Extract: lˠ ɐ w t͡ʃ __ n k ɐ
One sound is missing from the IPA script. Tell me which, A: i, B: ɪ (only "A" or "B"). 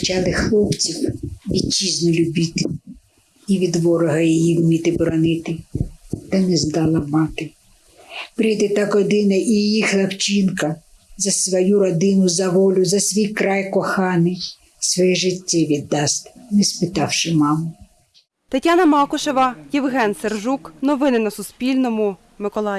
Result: A